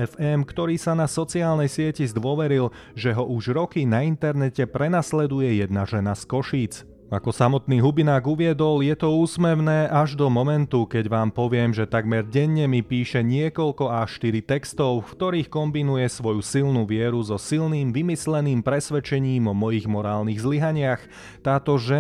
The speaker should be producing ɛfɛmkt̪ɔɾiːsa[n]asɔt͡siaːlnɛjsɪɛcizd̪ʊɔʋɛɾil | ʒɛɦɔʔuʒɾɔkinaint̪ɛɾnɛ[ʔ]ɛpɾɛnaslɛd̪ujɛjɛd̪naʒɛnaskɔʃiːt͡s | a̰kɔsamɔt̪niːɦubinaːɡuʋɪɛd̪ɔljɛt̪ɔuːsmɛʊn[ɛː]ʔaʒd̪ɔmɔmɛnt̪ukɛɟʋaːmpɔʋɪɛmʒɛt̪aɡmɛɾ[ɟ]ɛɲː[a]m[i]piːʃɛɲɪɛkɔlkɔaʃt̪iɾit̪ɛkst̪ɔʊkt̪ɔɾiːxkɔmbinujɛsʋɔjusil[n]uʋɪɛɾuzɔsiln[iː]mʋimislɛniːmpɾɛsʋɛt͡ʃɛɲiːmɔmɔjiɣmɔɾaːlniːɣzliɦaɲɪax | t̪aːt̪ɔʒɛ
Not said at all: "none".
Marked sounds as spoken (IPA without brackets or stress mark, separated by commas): n, c, ɛː, ɟ, ɛ, i, n, iː